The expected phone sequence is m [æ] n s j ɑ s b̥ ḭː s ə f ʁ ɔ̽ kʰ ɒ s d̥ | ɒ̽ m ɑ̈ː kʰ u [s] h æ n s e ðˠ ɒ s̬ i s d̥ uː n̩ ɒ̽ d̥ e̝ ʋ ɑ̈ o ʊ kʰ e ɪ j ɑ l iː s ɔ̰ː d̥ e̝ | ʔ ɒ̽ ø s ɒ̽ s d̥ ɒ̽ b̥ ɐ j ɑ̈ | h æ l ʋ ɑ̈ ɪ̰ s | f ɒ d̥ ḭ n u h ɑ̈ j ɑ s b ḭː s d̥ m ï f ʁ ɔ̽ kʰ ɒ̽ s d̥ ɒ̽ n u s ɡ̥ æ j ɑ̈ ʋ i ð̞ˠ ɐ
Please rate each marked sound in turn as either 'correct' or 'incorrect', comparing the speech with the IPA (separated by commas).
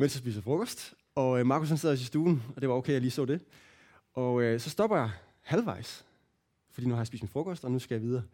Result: incorrect, correct